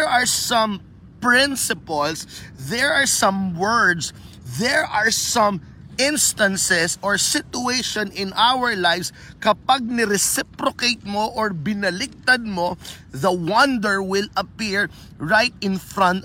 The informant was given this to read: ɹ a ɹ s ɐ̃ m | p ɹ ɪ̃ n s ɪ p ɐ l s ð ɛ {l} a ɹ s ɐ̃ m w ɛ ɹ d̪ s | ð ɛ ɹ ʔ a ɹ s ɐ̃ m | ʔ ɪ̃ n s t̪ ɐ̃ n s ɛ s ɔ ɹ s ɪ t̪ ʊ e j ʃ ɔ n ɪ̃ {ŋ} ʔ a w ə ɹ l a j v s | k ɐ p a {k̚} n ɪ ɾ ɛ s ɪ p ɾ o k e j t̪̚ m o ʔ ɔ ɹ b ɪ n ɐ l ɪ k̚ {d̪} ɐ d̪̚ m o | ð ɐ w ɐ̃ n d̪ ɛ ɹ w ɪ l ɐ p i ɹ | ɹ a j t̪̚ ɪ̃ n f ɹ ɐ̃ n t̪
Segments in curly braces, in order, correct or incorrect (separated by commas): incorrect, incorrect, incorrect, incorrect